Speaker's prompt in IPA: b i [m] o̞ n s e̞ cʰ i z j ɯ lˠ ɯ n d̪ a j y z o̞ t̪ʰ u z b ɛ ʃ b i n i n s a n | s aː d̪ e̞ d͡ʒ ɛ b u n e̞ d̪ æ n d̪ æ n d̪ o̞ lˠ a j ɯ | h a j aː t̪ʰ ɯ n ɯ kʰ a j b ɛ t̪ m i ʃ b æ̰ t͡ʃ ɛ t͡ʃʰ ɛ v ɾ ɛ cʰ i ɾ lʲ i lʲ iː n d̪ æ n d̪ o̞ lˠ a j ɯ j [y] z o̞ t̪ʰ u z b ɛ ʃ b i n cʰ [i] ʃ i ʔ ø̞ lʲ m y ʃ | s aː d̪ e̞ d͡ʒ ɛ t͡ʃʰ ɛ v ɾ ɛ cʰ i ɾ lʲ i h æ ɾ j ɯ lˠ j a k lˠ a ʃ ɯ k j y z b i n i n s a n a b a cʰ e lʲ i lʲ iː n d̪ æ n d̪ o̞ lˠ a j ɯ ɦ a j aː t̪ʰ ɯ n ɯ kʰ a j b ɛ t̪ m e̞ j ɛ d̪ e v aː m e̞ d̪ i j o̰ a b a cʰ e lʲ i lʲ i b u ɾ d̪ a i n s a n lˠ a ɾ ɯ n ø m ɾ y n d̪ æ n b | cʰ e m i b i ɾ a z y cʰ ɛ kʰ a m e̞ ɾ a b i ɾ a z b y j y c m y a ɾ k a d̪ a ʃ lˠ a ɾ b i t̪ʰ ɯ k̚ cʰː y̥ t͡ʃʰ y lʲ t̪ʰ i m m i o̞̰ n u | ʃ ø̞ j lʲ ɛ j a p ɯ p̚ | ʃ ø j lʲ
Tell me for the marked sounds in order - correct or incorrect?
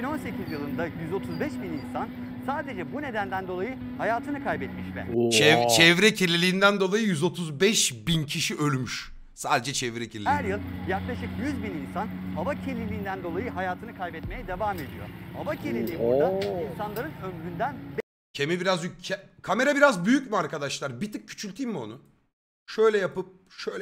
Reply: incorrect, correct, correct

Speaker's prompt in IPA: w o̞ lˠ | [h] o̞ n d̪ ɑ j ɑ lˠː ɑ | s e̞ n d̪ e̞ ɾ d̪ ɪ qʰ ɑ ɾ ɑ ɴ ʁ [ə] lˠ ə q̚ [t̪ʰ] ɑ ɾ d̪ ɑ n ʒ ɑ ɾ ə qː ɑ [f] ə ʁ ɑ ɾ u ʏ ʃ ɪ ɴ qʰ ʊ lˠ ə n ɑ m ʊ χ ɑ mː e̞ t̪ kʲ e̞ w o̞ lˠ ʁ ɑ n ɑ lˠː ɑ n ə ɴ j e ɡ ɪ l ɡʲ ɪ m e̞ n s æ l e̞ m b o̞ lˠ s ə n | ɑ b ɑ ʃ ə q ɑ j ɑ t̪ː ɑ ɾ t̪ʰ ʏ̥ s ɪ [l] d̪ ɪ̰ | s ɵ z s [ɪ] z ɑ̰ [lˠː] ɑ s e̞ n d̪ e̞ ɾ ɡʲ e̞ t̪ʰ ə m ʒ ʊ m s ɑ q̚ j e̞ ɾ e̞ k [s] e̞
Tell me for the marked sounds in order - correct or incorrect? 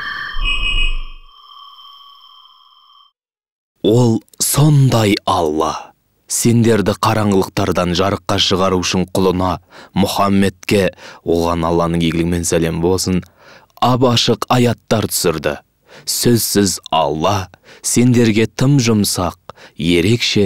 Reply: incorrect, correct, incorrect, incorrect, incorrect, correct, correct, incorrect

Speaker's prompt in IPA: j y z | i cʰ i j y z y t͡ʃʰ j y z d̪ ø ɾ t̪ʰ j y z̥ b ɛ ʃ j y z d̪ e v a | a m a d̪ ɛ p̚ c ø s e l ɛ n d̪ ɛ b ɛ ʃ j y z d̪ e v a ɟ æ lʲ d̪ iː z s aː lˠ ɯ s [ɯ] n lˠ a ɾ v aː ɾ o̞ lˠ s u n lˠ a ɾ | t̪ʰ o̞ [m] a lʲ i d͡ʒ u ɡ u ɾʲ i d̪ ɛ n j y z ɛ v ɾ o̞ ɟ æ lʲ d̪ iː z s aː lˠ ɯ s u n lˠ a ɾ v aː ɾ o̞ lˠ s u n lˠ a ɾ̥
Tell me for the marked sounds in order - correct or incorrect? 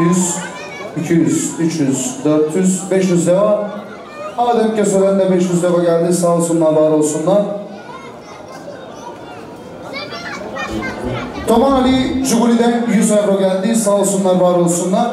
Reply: incorrect, correct

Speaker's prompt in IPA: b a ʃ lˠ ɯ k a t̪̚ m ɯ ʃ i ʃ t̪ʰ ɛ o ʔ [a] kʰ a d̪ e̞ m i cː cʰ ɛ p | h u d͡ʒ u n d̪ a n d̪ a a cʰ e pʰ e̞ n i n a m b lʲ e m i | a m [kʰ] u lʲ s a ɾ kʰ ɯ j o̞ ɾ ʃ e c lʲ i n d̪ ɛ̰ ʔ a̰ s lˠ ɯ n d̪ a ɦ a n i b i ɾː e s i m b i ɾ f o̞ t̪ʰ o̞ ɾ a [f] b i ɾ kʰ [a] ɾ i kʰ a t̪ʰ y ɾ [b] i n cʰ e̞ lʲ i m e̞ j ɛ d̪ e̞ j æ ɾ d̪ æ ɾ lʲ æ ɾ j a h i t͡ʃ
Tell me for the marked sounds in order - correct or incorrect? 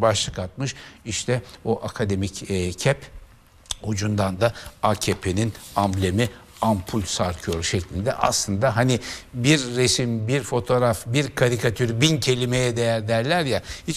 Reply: correct, incorrect, correct, correct, correct

